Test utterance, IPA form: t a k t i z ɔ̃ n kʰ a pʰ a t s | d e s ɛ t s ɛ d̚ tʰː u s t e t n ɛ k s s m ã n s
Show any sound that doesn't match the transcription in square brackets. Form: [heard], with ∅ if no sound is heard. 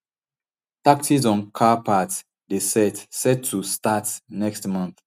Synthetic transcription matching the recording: t a k t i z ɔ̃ n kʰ a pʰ a t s | d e s ɛ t s ɛ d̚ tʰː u s t [a] t n ɛ k s [t] m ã n [θ]